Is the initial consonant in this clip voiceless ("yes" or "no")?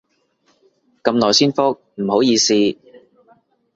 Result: yes